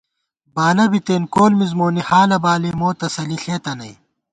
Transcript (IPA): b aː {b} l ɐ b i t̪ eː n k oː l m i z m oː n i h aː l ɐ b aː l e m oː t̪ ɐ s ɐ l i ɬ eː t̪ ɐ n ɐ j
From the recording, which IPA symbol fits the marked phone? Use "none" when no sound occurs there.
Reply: none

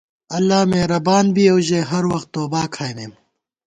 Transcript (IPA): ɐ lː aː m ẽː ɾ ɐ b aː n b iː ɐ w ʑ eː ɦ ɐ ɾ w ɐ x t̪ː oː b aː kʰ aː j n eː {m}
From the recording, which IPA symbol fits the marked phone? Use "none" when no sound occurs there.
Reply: m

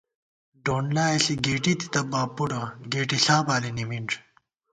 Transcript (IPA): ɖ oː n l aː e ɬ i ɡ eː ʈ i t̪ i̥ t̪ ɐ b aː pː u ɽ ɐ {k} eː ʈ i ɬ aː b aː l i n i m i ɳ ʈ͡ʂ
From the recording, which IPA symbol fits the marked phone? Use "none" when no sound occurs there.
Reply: ɡ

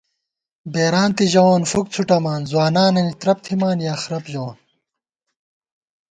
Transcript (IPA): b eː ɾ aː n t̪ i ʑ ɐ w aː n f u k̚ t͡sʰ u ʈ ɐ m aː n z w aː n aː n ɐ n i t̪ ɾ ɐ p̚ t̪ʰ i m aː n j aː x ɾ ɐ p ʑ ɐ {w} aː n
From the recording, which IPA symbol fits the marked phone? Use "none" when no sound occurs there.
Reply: w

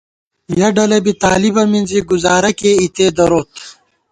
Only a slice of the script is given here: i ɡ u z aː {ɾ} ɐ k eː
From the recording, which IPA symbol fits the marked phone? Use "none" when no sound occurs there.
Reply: ɾ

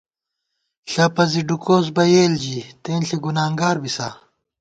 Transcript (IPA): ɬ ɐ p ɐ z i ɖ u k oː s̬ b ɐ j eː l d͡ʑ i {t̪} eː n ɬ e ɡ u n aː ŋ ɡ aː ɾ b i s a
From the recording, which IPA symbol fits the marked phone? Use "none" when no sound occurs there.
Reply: t̪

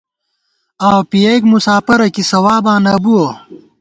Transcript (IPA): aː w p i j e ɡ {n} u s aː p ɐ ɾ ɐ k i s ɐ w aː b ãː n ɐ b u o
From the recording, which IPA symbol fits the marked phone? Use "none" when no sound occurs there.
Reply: m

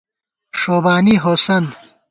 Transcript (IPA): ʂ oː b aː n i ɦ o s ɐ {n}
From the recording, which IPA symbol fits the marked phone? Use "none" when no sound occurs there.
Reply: n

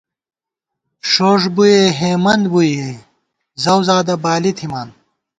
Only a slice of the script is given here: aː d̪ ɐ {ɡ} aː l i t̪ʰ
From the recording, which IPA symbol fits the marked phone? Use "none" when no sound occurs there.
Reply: b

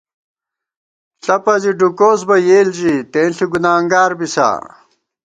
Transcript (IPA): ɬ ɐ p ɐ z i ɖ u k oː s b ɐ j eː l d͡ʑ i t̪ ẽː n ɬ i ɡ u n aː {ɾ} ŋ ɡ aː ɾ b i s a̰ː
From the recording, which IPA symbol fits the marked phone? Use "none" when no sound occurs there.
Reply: none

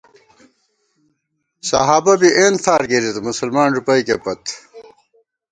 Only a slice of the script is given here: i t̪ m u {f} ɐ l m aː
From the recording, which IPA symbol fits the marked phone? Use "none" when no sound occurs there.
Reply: s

